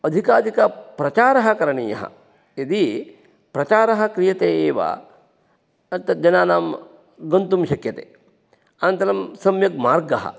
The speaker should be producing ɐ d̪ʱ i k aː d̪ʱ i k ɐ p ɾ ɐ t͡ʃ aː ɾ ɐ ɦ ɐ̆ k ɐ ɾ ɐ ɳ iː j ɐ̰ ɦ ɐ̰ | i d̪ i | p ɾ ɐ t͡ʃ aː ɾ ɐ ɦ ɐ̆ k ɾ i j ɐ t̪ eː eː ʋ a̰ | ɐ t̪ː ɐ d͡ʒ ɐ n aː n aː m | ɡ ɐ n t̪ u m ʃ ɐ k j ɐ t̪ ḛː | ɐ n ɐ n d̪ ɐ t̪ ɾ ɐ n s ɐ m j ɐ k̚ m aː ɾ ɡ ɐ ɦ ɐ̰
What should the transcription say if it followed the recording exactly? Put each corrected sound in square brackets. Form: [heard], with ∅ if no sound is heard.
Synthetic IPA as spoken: ɐ d̪ʱ i k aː d̪ʱ i k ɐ p ɾ ɐ t͡ʃ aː ɾ ɐ ɦ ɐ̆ k ɐ ɾ ɐ ɳ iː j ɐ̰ ɦ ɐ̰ | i d̪ i | p ɾ ɐ t͡ʃ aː ɾ ɐ ɦ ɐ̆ k ɾ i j ɐ t̪ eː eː ʋ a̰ | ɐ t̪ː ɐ d͡ʒ ɐ n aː n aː m | ɡ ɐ n t̪ u m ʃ ɐ k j ɐ t̪ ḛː | ɐ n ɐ n [t̪] ɐ [∅] ɾ ɐ [m] s ɐ m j ɐ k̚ m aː ɾ ɡ ɐ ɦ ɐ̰